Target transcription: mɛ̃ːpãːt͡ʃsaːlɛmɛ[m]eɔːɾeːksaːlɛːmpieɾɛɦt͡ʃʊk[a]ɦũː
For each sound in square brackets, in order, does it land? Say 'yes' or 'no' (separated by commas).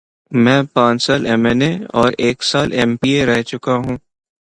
no, yes